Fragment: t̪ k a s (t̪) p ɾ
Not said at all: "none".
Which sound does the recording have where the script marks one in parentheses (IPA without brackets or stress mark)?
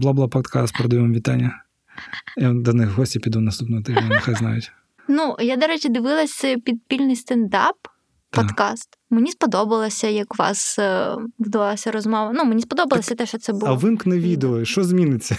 t̪